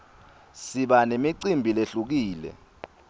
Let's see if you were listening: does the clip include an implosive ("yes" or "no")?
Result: yes